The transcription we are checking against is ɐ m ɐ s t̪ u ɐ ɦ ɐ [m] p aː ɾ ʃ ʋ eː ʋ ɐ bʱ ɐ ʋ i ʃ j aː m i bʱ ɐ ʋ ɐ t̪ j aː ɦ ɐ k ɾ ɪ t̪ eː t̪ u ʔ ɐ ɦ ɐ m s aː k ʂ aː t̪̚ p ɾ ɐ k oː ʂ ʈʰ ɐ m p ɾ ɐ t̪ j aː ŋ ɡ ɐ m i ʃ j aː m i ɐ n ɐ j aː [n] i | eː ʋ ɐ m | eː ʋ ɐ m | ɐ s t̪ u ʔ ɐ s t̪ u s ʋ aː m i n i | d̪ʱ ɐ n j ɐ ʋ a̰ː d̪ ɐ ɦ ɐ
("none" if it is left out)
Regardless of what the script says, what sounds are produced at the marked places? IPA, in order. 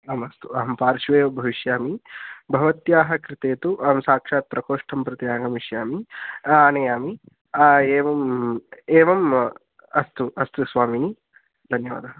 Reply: m, m

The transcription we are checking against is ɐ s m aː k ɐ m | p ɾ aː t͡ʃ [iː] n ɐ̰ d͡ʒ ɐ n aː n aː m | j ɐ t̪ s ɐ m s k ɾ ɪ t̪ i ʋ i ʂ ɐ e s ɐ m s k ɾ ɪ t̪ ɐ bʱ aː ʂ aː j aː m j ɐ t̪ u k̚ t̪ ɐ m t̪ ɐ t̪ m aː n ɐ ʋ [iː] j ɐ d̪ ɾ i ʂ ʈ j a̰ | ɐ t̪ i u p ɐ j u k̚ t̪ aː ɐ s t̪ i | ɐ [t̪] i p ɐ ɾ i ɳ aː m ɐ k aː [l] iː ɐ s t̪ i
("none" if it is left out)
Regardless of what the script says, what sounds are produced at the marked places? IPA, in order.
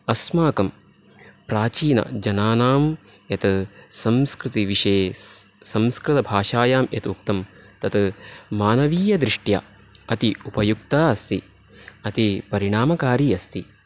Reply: iː, iː, t̪, ɾ

